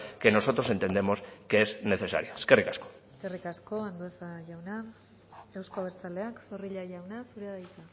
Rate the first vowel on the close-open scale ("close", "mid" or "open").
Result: mid